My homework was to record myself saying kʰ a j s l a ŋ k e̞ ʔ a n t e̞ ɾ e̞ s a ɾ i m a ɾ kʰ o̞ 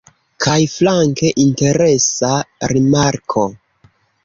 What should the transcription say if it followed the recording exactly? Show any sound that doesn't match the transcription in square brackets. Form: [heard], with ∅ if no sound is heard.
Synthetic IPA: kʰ a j [f] l a ŋ k e̞ ʔ [i] n t e̞ ɾ e̞ s a ɾ i m a ɾ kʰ o̞